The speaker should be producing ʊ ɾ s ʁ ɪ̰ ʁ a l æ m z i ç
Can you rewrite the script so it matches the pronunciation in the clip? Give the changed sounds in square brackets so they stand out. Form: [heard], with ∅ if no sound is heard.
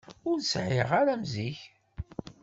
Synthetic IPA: ʊ ɾ s [ʕ] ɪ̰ ʁ a [ɾ] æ m z i ç